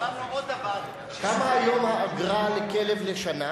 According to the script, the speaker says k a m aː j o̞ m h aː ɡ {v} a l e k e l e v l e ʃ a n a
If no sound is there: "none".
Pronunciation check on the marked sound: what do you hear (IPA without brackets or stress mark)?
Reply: ʁ